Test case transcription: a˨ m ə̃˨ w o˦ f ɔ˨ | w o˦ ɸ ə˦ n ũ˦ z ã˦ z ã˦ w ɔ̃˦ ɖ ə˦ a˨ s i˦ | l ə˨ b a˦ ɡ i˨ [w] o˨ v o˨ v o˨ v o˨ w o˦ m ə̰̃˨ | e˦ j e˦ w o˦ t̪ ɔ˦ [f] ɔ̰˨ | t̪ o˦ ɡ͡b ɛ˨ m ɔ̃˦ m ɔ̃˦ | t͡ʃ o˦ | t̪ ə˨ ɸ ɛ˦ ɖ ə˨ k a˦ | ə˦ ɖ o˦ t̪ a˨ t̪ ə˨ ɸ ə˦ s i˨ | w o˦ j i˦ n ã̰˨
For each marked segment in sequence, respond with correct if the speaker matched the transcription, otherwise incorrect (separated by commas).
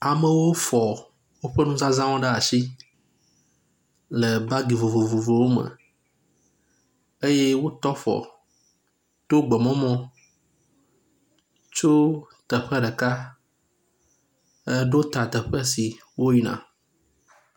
incorrect, correct